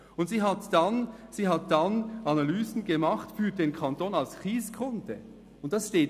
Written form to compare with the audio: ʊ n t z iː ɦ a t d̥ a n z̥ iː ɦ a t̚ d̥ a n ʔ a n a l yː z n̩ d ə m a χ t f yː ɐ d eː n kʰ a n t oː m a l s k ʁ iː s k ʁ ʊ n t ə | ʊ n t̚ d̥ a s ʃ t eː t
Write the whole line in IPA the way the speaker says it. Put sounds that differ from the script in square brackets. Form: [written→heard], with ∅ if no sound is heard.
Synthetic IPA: ʊ n t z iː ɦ a t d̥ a n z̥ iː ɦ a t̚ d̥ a n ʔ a n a l yː z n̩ [d→ɡ] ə m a χ t f yː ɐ d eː n kʰ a n t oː [m→n] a l s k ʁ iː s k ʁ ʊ n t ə | ʊ n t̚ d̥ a s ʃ t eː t